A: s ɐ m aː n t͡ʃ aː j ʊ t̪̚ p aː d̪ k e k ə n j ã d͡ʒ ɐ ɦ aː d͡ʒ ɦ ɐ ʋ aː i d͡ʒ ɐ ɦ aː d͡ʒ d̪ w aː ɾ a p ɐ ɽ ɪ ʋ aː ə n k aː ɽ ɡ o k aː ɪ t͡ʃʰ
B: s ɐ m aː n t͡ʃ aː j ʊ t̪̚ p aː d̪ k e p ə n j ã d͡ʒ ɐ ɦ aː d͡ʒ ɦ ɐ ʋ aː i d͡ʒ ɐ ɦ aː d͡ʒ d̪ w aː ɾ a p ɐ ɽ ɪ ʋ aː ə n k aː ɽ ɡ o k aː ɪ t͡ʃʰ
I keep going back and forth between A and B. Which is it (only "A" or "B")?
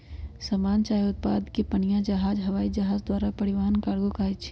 B